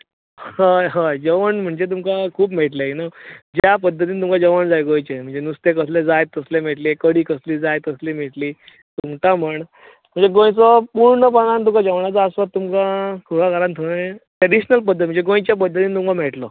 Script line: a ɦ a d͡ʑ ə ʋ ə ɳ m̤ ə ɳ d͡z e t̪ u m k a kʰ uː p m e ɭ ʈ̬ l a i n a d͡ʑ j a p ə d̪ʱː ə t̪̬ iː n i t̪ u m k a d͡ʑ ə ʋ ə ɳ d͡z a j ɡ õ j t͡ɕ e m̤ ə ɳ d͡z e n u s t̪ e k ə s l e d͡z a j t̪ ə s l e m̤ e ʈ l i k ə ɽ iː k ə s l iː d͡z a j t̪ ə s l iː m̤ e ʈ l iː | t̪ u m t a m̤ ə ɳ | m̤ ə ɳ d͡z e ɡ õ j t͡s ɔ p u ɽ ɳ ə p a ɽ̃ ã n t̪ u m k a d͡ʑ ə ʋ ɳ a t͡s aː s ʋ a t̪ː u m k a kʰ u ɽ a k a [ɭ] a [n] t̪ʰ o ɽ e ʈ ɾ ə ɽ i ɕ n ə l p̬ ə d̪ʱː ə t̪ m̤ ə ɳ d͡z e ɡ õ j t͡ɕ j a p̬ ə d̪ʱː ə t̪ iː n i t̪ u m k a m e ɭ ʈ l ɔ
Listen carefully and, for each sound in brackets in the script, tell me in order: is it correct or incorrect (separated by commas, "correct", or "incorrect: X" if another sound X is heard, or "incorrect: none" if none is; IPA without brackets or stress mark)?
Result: incorrect: ɾ, correct